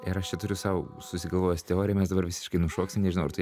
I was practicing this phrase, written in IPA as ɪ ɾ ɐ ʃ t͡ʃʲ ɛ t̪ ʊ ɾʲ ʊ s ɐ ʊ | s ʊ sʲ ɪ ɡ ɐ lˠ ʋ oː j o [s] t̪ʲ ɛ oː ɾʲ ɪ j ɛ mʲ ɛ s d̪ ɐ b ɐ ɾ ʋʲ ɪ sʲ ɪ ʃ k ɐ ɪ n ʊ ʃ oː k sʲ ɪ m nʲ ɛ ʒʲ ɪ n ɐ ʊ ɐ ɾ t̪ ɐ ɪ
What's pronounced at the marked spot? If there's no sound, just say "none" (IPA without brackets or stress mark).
s